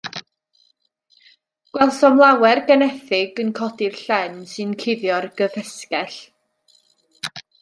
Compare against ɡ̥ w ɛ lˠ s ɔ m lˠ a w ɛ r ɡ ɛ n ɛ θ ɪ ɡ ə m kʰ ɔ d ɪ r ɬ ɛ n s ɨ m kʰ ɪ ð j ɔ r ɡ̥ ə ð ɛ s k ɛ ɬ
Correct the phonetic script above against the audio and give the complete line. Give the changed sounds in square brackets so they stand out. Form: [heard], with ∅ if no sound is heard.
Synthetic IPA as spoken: ɡ̥ w ɛ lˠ s ɔ m lˠ a w ɛ r ɡ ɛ n ɛ θ ɪ ɡ ə [n] kʰ ɔ d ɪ r ɬ ɛ n s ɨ [n] kʰ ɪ ð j ɔ r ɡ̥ ə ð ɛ s k ɛ ɬ